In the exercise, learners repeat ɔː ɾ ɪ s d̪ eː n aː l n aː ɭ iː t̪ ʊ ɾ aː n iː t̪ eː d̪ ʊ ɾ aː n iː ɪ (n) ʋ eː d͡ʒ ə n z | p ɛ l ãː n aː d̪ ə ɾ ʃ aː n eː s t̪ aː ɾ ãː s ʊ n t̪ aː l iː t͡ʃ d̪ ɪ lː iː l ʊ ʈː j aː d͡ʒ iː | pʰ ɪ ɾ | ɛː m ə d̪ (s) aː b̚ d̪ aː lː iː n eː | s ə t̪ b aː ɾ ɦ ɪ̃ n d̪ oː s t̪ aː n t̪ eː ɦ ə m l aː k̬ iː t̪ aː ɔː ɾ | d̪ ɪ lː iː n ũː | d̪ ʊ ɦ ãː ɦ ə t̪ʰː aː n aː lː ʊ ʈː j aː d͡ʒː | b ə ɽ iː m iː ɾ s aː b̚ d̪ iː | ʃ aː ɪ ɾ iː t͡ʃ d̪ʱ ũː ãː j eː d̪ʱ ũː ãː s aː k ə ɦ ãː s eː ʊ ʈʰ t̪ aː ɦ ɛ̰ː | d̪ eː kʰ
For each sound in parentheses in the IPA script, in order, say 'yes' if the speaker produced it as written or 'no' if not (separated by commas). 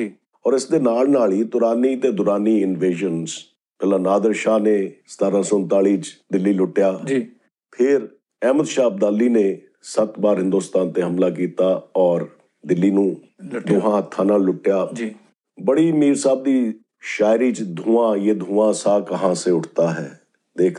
yes, no